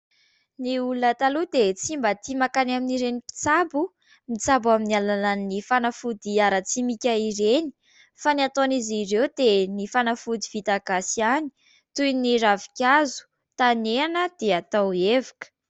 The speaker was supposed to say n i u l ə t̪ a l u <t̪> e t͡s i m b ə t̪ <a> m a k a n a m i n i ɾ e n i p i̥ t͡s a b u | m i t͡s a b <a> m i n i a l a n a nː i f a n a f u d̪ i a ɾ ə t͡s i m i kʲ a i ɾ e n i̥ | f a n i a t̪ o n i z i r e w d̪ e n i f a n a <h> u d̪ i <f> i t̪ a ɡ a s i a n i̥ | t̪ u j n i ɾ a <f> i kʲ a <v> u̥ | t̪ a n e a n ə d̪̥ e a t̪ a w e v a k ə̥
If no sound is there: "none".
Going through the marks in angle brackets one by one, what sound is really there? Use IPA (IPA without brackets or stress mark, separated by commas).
d̪, i, a, f, v, v, z